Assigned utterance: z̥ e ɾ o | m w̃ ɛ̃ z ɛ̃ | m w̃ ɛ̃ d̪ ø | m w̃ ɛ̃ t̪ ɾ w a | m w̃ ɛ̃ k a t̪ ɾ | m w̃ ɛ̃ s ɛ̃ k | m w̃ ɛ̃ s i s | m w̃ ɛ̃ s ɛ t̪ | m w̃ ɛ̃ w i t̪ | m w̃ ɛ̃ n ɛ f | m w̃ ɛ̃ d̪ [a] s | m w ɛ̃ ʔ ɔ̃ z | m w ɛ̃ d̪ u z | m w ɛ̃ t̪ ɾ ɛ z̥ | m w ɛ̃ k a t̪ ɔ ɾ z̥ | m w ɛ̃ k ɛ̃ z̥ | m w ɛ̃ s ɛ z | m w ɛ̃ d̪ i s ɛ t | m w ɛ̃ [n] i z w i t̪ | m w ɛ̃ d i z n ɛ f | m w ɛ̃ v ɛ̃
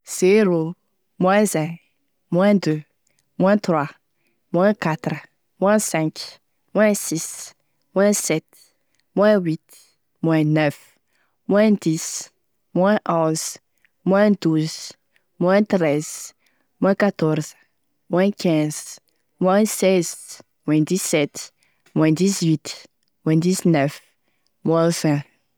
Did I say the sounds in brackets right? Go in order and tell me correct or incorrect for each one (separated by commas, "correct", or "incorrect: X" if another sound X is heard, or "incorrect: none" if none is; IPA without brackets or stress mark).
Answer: incorrect: i, incorrect: d